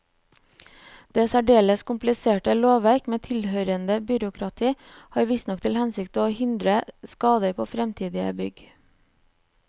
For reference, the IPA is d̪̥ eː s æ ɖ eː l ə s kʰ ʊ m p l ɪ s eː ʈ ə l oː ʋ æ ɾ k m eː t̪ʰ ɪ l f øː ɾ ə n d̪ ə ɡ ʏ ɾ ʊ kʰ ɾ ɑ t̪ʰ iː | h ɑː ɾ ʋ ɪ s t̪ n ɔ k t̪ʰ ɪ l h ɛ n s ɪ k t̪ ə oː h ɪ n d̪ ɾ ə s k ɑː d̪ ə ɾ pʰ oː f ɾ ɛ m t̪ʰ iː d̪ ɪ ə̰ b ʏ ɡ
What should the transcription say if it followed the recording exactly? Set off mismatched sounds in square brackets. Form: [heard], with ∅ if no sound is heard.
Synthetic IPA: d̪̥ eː s æ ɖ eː l ə s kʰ ʊ m p l ɪ s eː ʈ ə l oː ʋ æ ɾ k m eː t̪ʰ ɪ l [h] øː ɾ ə n d̪ ə [b] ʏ ɾ ʊ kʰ ɾ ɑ t̪ʰ iː | h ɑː ɾ ʋ ɪ s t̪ n ɔ k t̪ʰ ɪ l h ɛ n s ɪ k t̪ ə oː h ɪ n d̪ ɾ ə s k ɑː d̪ ə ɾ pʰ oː f ɾ ɛ m t̪ʰ iː d̪ ɪ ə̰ b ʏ ɡ